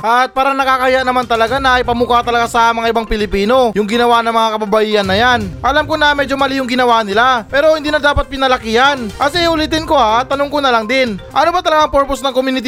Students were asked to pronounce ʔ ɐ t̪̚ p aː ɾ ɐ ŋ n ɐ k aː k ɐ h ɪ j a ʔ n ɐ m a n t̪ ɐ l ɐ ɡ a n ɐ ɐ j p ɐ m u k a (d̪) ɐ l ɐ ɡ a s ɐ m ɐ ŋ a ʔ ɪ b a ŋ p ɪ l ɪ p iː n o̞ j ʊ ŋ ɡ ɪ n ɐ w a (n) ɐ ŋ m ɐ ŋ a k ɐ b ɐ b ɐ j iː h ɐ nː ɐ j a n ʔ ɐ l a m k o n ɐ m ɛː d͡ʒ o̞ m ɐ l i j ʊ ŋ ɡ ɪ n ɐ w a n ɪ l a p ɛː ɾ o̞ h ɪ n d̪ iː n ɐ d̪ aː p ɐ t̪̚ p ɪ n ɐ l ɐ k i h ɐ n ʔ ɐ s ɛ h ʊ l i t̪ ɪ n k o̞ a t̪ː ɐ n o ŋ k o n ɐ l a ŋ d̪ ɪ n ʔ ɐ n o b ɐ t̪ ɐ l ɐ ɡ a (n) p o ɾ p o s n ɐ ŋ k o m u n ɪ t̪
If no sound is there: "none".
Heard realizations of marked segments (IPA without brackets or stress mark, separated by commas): t̪, n, ŋ